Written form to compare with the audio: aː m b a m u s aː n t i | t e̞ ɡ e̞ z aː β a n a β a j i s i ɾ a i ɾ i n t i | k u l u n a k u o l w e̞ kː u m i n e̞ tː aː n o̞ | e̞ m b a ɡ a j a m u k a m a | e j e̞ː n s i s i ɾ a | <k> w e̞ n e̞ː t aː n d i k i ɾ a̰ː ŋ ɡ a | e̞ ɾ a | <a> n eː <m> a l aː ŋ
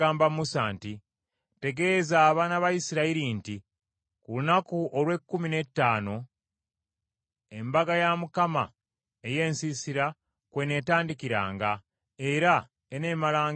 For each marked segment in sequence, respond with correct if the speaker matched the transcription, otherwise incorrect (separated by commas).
correct, incorrect, correct